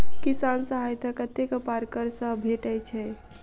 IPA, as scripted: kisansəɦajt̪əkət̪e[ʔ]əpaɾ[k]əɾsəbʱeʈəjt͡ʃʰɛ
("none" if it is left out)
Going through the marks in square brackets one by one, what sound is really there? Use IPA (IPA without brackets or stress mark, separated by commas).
k, k